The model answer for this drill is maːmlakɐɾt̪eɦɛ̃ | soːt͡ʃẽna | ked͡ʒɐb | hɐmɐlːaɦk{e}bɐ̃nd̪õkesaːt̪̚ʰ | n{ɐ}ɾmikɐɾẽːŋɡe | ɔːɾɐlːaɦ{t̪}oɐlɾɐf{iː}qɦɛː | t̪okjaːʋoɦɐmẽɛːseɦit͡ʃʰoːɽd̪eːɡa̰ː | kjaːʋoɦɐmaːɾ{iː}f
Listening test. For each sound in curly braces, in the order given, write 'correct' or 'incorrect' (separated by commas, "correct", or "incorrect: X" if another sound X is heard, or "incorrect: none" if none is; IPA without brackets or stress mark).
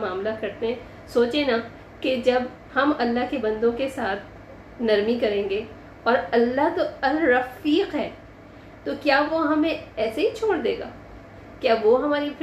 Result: correct, correct, correct, correct, incorrect: i